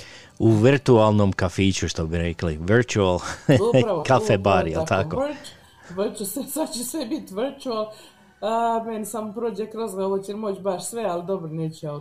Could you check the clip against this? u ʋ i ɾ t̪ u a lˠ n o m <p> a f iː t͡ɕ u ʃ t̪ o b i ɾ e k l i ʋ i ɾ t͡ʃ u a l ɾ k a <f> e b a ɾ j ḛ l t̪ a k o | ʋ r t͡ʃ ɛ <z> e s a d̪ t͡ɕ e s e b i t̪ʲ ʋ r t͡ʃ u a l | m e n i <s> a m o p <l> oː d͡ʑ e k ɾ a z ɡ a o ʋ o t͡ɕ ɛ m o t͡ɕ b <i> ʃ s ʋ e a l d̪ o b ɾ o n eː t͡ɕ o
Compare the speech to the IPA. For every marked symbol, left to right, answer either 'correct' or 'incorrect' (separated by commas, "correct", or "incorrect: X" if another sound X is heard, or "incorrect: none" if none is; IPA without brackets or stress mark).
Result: incorrect: k, correct, incorrect: s, correct, incorrect: ɾ, incorrect: a